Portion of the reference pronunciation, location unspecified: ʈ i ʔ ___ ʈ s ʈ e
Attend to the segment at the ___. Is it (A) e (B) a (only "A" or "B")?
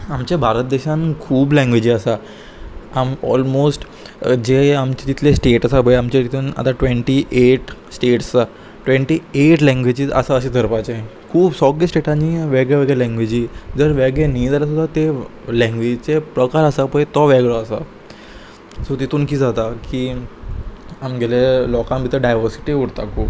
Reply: A